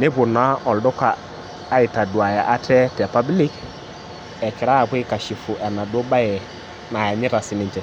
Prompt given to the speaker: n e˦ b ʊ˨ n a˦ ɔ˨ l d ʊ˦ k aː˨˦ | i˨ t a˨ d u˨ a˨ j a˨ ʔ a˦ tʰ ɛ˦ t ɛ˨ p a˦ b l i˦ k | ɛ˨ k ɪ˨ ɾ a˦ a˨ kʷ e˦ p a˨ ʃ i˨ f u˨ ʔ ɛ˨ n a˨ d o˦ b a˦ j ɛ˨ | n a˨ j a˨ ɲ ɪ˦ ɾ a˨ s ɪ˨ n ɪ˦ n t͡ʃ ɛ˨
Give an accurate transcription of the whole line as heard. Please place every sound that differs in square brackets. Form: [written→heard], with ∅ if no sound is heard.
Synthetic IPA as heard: n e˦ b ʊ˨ n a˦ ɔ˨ l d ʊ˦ k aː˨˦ | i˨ t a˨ d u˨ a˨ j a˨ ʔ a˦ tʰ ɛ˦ t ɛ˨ p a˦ b l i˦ k | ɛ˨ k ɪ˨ ɾ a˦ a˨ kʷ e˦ [p→k] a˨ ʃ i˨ f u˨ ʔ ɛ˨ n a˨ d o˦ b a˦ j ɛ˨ | n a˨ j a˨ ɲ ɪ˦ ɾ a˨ s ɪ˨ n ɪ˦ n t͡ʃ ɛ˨